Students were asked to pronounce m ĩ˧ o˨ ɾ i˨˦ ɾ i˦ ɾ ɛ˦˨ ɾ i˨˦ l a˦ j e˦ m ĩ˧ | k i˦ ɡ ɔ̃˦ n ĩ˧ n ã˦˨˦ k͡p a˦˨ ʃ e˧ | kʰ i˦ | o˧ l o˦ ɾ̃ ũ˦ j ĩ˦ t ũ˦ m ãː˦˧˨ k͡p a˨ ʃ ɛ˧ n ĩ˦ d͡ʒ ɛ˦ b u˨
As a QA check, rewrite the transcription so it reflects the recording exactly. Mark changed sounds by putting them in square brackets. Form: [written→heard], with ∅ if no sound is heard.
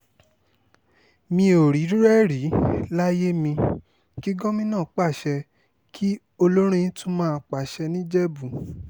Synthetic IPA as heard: m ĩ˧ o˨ ɾ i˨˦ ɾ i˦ ɾ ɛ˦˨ ɾ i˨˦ l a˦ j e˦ m ĩ˧ | k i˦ ɡ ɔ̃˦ [n→m] ĩ˧ n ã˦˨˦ k͡p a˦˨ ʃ [e˧→ɛ˧] | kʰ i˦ | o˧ l o˦ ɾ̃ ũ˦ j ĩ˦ t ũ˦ m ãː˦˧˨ k͡p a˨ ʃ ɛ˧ n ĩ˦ d͡ʒ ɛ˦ b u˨